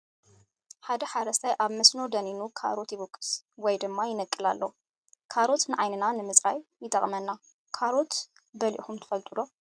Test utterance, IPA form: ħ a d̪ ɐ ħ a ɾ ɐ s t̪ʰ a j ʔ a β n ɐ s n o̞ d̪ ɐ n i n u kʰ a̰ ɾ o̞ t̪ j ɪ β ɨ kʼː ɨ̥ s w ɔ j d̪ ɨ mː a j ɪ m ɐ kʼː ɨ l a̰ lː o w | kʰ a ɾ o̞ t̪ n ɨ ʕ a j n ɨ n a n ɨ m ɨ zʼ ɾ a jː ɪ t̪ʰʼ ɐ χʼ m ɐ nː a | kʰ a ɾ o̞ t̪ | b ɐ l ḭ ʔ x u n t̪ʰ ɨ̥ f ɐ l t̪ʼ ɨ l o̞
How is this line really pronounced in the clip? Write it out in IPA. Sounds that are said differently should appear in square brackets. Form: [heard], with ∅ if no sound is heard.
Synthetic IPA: ħ a d̪ ɐ ħ a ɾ ɐ s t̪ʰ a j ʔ a β [m] ɐ s n o̞ d̪ ɐ n i n u kʰ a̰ ɾ o̞ t̪ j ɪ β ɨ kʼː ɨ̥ s w ɔ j d̪ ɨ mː a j ɪ [n] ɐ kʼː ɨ l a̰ lː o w | kʰ a ɾ o̞ t̪ n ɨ ʕ a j n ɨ n a n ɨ m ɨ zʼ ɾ a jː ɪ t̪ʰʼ ɐ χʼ m ɐ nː a | kʰ a ɾ o̞ t̪ | b ɐ l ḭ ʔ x u [m] t̪ʰ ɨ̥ f ɐ l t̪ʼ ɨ l o̞